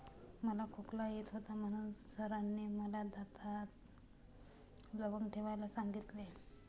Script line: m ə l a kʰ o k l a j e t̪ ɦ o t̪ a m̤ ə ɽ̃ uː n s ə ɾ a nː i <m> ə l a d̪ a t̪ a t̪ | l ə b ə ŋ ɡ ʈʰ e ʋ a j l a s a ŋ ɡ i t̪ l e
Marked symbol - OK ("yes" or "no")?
yes